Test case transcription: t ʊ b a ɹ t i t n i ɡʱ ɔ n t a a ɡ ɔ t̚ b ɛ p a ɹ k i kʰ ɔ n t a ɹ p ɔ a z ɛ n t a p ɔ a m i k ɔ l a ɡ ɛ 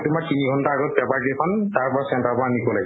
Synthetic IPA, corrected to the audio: t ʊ m a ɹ t i n i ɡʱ ɔ n t a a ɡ ɔ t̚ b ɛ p a ɹ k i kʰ ɔ n t a ɹ p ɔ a s ɛ n t a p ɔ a n i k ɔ l a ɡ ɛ